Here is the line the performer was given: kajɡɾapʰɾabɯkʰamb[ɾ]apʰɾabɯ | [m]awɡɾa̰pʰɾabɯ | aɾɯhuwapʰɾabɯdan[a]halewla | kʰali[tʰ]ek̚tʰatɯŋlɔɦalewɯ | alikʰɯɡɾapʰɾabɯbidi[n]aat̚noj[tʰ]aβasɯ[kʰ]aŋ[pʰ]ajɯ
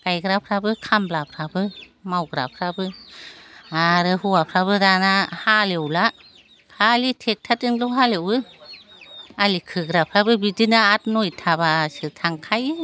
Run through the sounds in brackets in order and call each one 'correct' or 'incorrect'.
incorrect: l, correct, correct, correct, correct, correct, incorrect: tʰ, incorrect: kʰ

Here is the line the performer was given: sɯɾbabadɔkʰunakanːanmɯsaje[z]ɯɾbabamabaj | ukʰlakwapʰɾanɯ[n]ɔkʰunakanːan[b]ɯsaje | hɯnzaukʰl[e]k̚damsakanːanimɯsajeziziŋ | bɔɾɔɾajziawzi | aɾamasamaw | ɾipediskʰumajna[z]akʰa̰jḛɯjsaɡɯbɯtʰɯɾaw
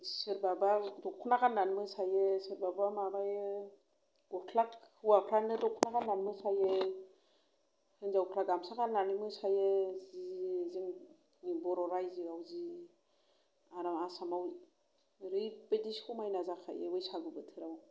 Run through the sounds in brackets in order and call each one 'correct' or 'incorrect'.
incorrect: s, incorrect: d, incorrect: m, incorrect: a, correct

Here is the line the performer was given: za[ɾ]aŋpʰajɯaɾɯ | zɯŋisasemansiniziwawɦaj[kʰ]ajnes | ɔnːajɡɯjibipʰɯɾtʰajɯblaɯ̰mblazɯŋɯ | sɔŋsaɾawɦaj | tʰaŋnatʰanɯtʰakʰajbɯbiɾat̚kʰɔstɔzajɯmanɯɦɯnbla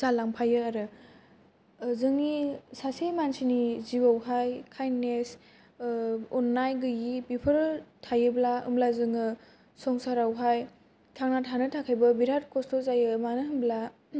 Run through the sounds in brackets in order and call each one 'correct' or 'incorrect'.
incorrect: l, correct

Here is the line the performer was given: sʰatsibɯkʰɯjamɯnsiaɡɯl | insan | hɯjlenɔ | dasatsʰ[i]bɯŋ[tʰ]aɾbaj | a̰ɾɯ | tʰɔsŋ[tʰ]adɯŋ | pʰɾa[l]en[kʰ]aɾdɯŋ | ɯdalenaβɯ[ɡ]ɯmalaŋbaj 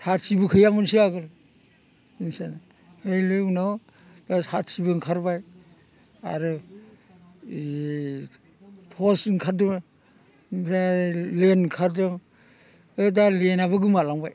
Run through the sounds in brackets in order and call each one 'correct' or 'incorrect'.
correct, incorrect: kʰ, incorrect: kʰ, correct, correct, correct

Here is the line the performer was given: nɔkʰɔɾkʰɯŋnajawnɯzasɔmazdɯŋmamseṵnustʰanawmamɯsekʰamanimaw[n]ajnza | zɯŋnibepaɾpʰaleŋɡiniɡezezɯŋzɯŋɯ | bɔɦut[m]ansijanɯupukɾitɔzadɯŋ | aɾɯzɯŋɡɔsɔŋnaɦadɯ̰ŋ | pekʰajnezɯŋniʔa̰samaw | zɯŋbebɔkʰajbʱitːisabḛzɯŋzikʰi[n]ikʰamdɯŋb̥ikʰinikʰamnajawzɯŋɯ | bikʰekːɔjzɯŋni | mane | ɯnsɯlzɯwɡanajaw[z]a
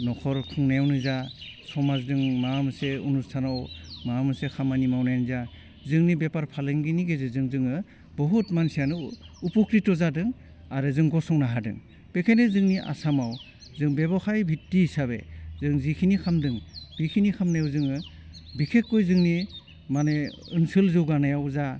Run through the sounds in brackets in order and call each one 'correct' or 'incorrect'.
correct, correct, correct, correct

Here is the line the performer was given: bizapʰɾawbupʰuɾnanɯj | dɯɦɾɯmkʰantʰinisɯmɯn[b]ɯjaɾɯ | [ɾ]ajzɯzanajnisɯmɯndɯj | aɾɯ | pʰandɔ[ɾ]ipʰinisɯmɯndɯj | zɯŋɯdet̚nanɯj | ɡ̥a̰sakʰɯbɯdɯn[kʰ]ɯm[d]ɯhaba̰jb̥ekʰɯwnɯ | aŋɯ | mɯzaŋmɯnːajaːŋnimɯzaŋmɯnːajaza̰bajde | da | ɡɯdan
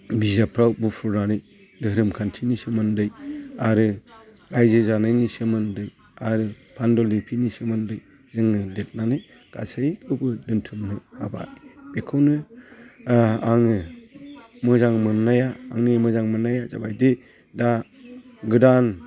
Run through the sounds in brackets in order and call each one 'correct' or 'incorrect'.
incorrect: d, correct, incorrect: l, incorrect: tʰ, incorrect: n

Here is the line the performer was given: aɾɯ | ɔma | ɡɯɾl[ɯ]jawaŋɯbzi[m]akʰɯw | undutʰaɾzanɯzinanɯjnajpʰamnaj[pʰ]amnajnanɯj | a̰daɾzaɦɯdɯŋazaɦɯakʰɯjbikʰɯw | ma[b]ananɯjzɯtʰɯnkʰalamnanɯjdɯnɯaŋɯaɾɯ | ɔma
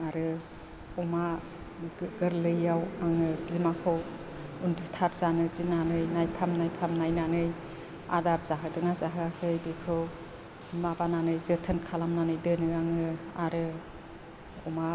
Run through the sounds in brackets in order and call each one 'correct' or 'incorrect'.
correct, correct, correct, correct

